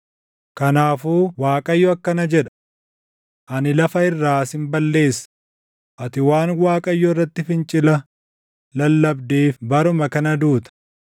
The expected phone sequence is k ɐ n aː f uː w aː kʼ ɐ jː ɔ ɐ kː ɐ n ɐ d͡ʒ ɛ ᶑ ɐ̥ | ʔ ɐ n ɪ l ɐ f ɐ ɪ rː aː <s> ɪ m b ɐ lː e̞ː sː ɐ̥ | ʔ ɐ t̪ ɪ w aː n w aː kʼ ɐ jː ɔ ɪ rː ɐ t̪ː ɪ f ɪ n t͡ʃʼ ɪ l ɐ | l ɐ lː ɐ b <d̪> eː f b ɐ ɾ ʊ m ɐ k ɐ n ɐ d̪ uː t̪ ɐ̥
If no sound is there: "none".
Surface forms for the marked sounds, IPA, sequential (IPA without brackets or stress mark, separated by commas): s, d̪